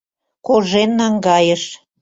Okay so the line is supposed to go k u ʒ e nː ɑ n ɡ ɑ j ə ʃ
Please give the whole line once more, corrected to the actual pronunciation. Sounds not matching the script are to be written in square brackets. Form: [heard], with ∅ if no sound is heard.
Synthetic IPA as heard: k [o] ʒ e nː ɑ [ŋ] ɡ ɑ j ə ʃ